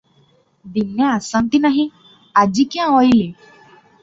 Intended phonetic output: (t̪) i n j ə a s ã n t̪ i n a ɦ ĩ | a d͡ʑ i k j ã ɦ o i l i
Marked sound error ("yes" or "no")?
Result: yes